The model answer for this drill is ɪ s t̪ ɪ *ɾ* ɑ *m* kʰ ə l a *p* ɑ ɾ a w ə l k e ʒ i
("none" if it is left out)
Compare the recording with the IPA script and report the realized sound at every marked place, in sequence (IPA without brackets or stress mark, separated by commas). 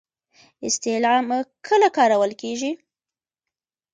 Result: l, m, k